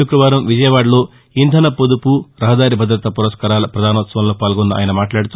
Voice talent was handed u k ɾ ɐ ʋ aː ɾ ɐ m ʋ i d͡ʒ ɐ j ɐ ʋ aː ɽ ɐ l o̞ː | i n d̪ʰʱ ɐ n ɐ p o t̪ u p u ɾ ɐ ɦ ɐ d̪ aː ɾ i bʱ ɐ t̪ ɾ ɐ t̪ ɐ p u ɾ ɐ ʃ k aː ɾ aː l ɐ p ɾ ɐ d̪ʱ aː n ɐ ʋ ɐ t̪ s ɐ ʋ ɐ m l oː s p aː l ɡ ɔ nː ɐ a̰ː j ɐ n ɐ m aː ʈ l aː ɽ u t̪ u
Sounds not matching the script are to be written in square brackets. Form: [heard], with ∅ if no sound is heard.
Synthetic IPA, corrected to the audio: u k ɾ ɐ ʋ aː ɾ ɐ m ʋ i d͡ʒ ɐ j ɐ ʋ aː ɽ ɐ l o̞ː | i n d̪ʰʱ ɐ n ɐ p o [d̪] u p u ɾ ɐ ɦ ɐ d̪ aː ɾ i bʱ ɐ [d̪] ɾ ɐ t̪ ɐ p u ɾ ɐ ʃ k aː ɾ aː l ɐ p ɾ ɐ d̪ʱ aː n ɐ ʋ ɐ t̪ s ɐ ʋ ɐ m l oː [∅] p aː l ɡ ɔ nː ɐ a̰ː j ɐ n ɐ m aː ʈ l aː ɽ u t̪ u

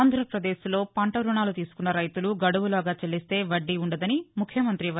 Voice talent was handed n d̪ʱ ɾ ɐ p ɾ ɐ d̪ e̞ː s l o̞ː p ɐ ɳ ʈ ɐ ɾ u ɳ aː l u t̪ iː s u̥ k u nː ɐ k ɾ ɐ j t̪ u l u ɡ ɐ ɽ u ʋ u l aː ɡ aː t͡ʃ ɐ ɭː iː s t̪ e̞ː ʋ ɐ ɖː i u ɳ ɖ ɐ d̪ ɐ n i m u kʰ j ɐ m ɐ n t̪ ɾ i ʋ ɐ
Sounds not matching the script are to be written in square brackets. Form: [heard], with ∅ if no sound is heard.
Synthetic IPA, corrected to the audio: n d̪ʱ ɾ ɐ p ɾ ɐ d̪ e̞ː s l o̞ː p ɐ ɳ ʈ ɐ ɾ u ɳ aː l u t̪ iː s u̥ k u nː ɐ [∅] ɾ ɐ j t̪ u l u ɡ ɐ ɽ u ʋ u l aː ɡ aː t͡ʃ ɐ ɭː [i] s t̪ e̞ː ʋ ɐ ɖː i u ɳ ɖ ɐ d̪ ɐ n i m u kʰ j ɐ m ɐ n t̪ ɾ i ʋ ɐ

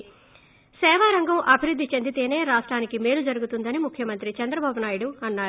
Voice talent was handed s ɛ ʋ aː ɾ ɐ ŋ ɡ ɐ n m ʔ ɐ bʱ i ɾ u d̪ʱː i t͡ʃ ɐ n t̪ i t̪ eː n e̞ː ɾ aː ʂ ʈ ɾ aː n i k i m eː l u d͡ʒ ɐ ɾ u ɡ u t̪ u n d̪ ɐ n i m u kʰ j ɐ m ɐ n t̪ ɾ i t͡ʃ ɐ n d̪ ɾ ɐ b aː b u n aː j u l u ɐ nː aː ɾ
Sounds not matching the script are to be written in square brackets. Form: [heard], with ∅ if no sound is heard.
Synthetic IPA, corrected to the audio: s [ɛː] ʋ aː ɾ ɐ ŋ ɡ ɐ [∅] m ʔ ɐ bʱ i ɾ u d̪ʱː i t͡ʃ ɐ n [d̪] i t̪ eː n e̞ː ɾ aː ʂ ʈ ɾ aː n i k i m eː l u d͡ʒ ɐ ɾ u ɡ u t̪ u n d̪ ɐ n i m u kʰ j ɐ m ɐ n t̪ ɾ i t͡ʃ ɐ n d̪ ɾ ɐ b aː b u n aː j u [ɽ] u ɐ nː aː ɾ

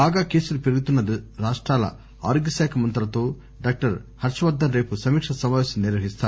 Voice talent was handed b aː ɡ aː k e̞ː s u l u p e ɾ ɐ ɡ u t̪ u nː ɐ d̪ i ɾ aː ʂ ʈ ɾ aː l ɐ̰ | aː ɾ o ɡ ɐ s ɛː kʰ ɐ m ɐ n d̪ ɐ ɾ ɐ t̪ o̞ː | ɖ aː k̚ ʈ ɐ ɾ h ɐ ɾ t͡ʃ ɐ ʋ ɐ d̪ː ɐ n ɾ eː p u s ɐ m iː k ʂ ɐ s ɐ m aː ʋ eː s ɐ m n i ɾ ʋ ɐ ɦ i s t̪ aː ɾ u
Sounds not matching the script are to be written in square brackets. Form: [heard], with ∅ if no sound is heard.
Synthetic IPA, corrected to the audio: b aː ɡ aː k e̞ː s u l u p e ɾ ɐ ɡ u t̪ u nː ɐ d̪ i ɾ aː ʂ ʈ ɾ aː l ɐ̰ | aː ɾ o ɡ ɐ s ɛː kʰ ɐ m ɐ n [t̪] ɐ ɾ ɐ t̪ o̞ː | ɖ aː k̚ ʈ ɐ ɾ h ɐ ɾ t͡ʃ ɐ ʋ ɐ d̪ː ɐ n ɾ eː p u s ɐ m iː k ʂ ɐ s ɐ m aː ʋ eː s ɐ m n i ɾ ʋ ɐ ɦ i s t̪ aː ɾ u

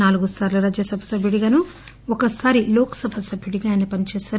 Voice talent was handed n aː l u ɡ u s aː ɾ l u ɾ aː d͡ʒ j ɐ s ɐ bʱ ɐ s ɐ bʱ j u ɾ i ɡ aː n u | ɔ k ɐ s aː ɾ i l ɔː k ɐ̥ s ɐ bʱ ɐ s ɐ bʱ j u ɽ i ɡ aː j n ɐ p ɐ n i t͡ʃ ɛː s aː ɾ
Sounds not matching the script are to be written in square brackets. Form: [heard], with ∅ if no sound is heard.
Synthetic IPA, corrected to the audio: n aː l u ɡ u s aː ɾ l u ɾ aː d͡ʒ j ɐ s ɐ bʱ ɐ s ɐ bʱ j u [ɽ] i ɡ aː n u | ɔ k ɐ s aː ɾ i l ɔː k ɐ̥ s ɐ bʱ ɐ s ɐ bʱ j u ɽ i ɡ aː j n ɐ p ɐ n i t͡ʃ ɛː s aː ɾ

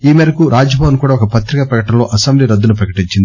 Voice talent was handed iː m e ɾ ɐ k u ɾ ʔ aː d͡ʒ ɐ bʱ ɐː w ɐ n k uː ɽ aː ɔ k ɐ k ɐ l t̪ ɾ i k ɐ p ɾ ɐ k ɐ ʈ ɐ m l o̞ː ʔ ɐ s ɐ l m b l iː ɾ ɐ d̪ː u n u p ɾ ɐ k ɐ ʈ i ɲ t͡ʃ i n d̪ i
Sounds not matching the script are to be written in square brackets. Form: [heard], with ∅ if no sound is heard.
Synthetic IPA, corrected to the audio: iː m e ɾ ɐ k u ɾ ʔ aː d͡ʒ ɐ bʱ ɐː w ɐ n k uː ɽ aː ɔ k ɐ [p] ɐ [∅] t̪ ɾ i k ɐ p ɾ ɐ k ɐ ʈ ɐ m l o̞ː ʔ ɐ s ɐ [∅] m b l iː ɾ ɐ d̪ː u n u p ɾ ɐ k ɐ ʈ i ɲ t͡ʃ i n d̪ i

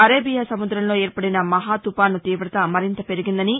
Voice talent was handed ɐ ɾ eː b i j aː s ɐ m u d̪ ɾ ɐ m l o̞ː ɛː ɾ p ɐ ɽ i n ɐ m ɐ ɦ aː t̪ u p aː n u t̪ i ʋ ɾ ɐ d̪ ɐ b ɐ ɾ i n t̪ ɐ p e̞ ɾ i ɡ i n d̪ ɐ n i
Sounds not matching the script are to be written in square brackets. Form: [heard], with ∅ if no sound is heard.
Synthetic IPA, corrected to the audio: ɐ ɾ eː b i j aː s ɐ m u d̪ ɾ ɐ m l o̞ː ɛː ɾ p ɐ ɽ i n ɐ m ɐ ɦ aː t̪ u p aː n u t̪ [iː] ʋ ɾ ɐ [t̪] ɐ [m] ɐ ɾ i n t̪ ɐ p e̞ ɾ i ɡ i n d̪ ɐ n i

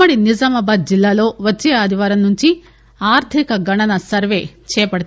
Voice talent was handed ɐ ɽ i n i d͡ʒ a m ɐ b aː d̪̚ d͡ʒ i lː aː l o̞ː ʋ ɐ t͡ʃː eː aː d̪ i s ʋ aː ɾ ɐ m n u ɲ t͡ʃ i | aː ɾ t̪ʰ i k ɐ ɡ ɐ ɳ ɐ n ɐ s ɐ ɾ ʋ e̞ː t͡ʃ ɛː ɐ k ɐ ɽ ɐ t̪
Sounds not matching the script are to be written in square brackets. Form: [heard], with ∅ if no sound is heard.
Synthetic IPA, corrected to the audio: ɐ ɽ i n i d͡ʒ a m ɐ b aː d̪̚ d͡ʒ i lː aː l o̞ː ʋ ɐ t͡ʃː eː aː d̪ i [∅] ʋ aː ɾ ɐ m n u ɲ t͡ʃ i | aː ɾ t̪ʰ i k ɐ ɡ ɐ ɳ ɐ n ɐ s ɐ ɾ ʋ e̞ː t͡ʃ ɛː ɐ [p] ɐ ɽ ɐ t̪

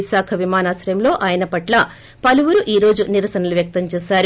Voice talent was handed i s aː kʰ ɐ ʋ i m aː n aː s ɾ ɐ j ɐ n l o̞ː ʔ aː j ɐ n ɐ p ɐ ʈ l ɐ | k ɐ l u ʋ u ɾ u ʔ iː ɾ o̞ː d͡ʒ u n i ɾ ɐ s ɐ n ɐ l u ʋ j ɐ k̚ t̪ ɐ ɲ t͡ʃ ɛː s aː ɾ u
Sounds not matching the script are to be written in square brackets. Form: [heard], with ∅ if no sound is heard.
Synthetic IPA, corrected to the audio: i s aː kʰ ɐ ʋ i m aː n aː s ɾ ɐ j ɐ [m] l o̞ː ʔ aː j ɐ n ɐ p ɐ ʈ l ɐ | [p] ɐ l u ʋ u ɾ u ʔ iː ɾ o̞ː d͡ʒ u n i ɾ ɐ s ɐ n ɐ l u ʋ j ɐ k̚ t̪ ɐ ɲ t͡ʃ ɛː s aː ɾ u

